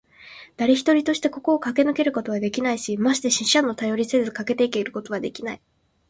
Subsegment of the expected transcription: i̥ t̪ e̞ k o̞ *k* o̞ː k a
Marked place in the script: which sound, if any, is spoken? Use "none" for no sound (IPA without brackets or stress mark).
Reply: k